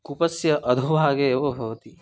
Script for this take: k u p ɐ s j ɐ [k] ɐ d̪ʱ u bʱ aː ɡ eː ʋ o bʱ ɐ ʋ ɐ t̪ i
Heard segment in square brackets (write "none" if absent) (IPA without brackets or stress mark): ʔ